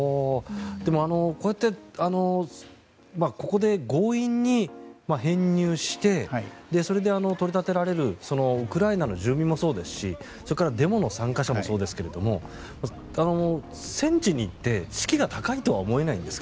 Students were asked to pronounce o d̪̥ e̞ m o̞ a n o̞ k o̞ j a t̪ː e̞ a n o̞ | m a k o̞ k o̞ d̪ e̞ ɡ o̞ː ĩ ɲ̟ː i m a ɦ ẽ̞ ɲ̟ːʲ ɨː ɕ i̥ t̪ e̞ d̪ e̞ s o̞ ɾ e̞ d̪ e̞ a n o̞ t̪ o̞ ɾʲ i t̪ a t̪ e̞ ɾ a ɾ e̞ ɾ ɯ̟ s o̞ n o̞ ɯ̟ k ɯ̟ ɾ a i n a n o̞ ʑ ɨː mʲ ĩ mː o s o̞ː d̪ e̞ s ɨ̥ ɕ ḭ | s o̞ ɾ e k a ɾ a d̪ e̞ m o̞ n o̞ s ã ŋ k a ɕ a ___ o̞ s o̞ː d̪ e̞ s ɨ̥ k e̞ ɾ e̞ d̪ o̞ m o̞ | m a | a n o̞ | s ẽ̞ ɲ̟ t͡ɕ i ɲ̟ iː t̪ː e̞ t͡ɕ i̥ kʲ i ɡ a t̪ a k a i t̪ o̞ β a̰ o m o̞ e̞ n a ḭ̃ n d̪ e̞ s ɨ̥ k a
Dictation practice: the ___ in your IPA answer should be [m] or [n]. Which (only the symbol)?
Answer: m